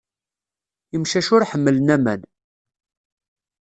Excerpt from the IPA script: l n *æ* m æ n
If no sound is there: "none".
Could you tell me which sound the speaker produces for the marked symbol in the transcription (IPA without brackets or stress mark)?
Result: æ